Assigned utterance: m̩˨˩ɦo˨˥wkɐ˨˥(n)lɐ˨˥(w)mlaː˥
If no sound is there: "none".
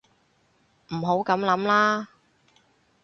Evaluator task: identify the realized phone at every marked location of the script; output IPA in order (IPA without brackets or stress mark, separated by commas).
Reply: m, none